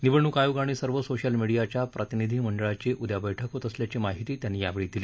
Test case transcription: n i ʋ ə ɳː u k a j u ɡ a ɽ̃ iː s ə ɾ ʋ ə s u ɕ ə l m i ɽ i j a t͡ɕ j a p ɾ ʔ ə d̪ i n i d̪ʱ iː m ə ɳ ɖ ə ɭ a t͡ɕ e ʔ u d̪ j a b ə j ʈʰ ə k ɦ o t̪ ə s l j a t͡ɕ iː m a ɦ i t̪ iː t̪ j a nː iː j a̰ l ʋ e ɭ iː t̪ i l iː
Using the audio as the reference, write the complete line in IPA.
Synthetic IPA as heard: n i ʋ ə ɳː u k a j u ɡ a ɽ̃ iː s ə ɾ ʋ ə s o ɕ ə l m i ɽ i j a t͡ɕ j a p ɾ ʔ ə t̪ i n i d̪ʱ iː m ə ɳ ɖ ə ɭ a t͡ɕ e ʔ u d̪ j a b ə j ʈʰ ə k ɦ o t̪ ə s l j a t͡ɕ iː m a ɦ i t̪ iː t̪ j a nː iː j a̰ ʋ e ɭ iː d̪ i l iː

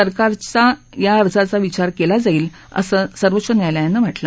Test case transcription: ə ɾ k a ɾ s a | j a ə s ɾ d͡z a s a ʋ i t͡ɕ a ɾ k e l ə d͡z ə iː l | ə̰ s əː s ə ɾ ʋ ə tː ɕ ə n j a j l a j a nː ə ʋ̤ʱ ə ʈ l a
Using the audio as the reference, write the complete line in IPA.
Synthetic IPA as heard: ə ɾ k a ɾ t͡s a | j a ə ɾ d͡z a t͡s a ʋ i t͡ɕ a ɾ k e l a d͡z a iː l | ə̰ s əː s ə ɾ ʋ ə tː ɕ ə n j a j l a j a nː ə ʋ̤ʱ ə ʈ l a

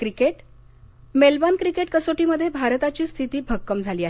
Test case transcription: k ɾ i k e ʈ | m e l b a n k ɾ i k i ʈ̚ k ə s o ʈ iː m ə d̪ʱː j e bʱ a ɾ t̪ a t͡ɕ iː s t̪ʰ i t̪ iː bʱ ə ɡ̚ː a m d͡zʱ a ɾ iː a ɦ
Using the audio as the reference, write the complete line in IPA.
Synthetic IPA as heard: k ɾ i k e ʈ | m e l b a n k ɾ i k e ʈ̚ k ə s o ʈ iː m ə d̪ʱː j e bʱ a ɾ t̪ a t͡ɕ iː s t̪ʰ i t̪ iː bʱ ə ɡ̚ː ə m d͡zʱ a l iː a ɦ

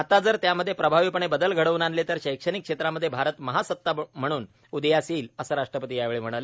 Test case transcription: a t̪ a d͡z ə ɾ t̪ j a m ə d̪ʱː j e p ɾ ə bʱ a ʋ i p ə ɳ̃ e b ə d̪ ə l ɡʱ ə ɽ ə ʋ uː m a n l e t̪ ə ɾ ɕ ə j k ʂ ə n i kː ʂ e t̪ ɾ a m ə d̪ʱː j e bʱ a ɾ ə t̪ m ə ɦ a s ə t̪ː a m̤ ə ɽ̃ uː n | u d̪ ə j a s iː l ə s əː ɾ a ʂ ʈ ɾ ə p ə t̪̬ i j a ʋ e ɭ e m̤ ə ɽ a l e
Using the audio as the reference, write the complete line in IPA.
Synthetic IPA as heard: a t̪ a d͡z ə ɾ t̪ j a m ə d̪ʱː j e p ɾ ə bʱ a ʋ i p ə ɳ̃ e b ə d̪ ə l ɡʱ ə ɽ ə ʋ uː n a n l e t̪ ə ɾ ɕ ə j k ʂ ə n i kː ʂ e t̪ ɾ a m ə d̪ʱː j e bʱ a ɾ ə t̪ m ə ɦ a s ə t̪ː a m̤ ə ɽ̃ uː n | u d̪ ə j a s iː l ə s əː ɾ a ʂ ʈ ɾ ə p ə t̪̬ i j a ʋ e ɭ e m̤ ə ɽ a l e

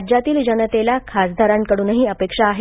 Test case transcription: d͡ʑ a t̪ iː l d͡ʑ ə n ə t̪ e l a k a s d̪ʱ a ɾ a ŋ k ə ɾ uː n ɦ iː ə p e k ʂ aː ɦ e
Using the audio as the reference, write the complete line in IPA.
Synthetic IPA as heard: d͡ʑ a t̪ iː l d͡ʑ ə n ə t̪ e l a kʰ a s d̪ʱ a ɾ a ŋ k ə ɽ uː n ɦ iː ə p e k ʂ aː ɦ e

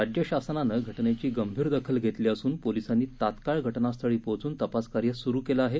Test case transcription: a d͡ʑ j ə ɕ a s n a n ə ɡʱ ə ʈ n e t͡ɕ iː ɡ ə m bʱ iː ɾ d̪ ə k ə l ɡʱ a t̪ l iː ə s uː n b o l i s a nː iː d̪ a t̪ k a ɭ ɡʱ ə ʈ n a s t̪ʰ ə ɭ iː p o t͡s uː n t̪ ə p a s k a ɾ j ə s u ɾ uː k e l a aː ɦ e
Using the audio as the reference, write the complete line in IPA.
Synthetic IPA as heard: a d͡ʑ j ə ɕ a s n a n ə ɡʱ ə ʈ n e t͡ɕ iː ɡ ə m bʱ iː ɾ d̪ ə kʰ ə l ɡʱ e t̪ l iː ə s uː n p o l i s a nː iː t̪ a t̪ k a ɭ ɡʱ ə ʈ n a s t̪ʰ ə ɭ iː p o t͡s uː n t̪ ə p a s k a ɾ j ə s u ɾ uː k e l a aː ɦ e

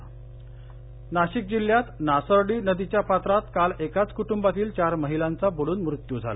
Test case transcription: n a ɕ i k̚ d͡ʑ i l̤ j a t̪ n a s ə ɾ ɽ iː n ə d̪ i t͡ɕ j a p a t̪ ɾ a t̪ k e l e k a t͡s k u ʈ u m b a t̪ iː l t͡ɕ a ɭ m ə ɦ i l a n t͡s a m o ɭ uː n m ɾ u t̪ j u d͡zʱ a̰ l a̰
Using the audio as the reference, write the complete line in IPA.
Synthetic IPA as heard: n a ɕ i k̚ d͡ʑ i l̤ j a t̪ n a s ə ɾ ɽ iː n ə d̪ i t͡ɕ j a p a t̪ ɾ a t̪ k a l e k a t͡s k u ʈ u m b a t̪ iː l t͡ɕ a ɾ m ə ɦ i l a n t͡s a b o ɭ uː n m ɾ u t̪ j u d͡zʱ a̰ l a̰

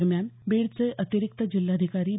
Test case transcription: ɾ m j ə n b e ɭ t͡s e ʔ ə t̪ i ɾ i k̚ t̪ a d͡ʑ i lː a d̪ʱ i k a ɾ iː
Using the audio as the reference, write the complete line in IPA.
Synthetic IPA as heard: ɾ m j a n b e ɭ t͡s e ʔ ə t̪ i ɾ i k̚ t̪ ə d͡ʑ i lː a d̪ʱ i k a ɾ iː

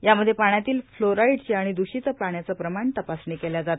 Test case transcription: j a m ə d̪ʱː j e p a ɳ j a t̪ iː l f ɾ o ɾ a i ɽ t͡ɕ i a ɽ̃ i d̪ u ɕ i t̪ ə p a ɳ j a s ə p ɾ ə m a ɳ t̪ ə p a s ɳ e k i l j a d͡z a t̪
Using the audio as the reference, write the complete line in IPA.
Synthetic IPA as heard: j a m ə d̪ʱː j e p a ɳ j a t̪ iː l f l o ɾ a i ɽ t͡ɕ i a ɽ̃ i d̪ u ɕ i t̪ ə p a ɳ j a t͡s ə p ɾ ə m a ɳ t̪ ə p a s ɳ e k e l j a d͡z a t̪

